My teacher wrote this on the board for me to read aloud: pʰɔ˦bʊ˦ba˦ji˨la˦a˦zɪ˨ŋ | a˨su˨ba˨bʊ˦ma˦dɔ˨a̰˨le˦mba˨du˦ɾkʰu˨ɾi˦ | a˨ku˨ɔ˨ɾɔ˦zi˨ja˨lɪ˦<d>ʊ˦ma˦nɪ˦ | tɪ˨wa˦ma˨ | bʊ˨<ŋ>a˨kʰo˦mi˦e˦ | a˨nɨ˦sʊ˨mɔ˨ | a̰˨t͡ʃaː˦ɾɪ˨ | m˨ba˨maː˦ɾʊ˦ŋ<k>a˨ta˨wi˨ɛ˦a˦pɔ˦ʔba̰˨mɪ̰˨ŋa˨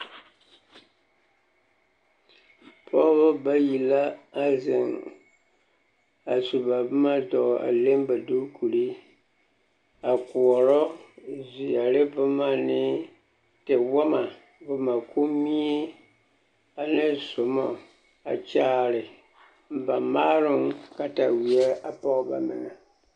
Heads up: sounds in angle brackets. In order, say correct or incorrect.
incorrect: b, incorrect: m, correct

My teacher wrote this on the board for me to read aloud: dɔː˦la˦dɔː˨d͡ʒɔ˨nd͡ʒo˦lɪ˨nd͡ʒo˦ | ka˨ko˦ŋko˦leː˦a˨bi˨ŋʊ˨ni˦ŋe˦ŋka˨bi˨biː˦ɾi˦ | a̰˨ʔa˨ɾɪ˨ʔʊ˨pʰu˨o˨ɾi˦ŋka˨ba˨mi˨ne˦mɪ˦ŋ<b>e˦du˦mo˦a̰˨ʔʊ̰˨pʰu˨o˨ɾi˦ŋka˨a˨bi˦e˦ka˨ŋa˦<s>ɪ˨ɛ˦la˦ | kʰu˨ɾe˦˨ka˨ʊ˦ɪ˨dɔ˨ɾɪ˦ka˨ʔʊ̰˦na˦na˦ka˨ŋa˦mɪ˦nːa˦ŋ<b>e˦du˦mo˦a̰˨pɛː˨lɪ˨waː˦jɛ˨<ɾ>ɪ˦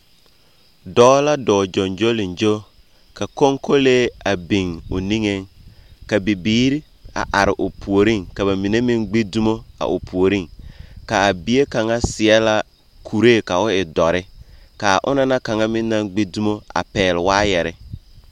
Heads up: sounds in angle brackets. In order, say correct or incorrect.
incorrect: ɡ͡b, correct, incorrect: ɡ͡b, correct

